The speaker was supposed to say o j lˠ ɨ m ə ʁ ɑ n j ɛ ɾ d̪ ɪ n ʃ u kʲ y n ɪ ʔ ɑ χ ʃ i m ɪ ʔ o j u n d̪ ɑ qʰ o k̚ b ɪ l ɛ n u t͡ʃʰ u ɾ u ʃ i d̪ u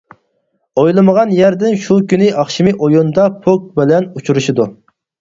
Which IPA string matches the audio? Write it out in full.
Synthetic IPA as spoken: o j lˠ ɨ m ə ʁ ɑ n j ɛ ɾ d̪ ɪ n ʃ u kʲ y n ɪ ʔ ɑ χ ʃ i m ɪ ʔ o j u n d̪ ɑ pʰ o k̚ b ɪ l ɛ n u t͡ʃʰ u ɾ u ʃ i d̪ u